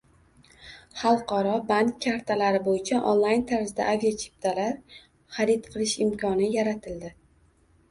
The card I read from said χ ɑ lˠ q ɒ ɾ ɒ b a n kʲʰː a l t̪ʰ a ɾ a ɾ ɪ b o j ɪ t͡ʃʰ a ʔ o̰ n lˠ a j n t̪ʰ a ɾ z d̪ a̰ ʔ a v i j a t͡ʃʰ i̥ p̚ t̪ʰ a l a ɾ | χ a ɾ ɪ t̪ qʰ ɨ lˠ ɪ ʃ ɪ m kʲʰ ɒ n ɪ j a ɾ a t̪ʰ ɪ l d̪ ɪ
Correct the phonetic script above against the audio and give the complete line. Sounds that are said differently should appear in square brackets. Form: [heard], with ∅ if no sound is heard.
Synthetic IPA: χ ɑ lˠ q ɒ ɾ ɒ b a n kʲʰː a [ɾ] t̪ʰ a [l] a ɾ ɪ b o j ɪ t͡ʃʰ a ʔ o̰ n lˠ a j n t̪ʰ a ɾ z d̪ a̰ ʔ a v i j a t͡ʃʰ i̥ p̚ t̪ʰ a l a ɾ | χ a ɾ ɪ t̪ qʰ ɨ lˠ ɪ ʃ ɪ m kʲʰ ɒ n ɪ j a ɾ a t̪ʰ ɪ l d̪ ɪ